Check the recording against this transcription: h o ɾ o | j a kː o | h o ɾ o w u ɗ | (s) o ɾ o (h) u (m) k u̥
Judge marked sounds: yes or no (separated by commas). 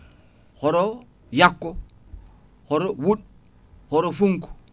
no, no, no